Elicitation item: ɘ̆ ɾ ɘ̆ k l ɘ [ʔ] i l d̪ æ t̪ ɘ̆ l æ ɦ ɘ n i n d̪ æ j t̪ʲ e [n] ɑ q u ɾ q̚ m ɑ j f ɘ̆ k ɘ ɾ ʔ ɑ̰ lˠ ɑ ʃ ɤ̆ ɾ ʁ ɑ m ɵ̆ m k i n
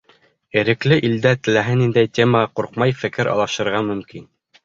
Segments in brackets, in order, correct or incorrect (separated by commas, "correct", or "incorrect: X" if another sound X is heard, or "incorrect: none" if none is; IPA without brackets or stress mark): correct, incorrect: m